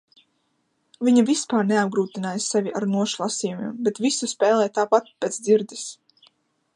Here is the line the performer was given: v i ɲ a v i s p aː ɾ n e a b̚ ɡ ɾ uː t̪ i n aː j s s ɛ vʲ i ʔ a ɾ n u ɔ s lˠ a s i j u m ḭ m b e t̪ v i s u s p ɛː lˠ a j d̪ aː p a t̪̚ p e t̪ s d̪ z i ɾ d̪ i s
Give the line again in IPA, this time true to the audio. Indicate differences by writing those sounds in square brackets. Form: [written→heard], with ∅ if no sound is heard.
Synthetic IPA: v i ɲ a v i s p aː ɾ n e a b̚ ɡ ɾ uː t̪ i n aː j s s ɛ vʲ i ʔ a ɾ n u ɔ [s→ʃ] lˠ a s i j u m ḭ m b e t̪ v i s u s p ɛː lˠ [a→ɛ] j [d̪→t̪] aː p a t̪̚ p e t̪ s d̪ z i ɾ d̪ i s